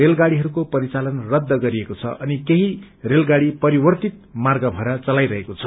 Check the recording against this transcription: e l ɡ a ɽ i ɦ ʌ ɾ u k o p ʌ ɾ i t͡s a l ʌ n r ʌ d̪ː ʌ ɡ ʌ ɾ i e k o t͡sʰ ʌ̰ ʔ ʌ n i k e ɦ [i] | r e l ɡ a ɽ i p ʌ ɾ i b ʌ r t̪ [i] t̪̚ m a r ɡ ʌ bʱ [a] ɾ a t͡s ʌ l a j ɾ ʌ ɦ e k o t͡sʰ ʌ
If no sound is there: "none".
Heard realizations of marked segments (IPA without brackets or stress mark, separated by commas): i, i, ʌ